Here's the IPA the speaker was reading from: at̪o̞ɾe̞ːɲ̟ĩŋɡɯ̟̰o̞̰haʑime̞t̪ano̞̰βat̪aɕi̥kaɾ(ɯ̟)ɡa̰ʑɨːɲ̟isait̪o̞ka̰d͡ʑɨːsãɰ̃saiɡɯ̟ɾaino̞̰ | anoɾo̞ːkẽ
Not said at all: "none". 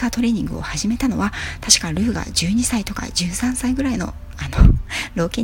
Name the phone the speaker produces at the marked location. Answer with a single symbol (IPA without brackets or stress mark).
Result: ɯ̟ː